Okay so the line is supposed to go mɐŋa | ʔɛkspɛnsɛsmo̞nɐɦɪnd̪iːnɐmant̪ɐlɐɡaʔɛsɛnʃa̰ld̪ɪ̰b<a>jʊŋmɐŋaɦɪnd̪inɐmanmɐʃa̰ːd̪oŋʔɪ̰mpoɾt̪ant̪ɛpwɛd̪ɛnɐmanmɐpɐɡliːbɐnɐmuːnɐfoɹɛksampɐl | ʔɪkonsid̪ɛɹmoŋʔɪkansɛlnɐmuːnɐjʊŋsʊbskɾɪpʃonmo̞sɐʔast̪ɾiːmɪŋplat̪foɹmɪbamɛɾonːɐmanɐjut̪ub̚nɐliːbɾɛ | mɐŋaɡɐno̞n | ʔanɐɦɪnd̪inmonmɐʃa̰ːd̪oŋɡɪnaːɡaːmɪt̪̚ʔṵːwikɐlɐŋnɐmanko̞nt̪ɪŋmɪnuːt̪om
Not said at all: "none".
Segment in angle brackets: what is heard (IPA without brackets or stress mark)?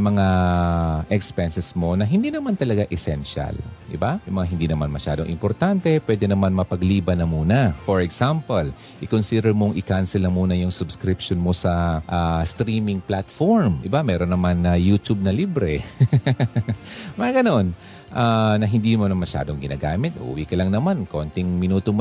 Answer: a